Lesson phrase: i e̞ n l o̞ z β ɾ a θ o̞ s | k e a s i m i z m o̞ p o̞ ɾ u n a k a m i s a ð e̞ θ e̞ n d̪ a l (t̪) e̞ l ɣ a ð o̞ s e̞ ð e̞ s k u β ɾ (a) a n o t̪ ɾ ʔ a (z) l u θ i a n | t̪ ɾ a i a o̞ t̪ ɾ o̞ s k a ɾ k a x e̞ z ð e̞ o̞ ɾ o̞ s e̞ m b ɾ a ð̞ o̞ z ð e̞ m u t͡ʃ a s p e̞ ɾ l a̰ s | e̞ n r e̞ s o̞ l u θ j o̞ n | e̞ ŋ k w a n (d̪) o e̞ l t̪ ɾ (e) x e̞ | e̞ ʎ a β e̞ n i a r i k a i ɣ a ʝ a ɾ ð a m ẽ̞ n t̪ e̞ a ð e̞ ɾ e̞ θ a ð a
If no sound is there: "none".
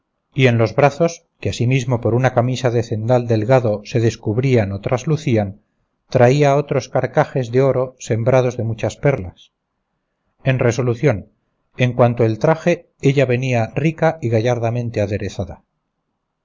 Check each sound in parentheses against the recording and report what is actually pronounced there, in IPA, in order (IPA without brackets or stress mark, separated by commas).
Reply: d̪, i, z, t̪, a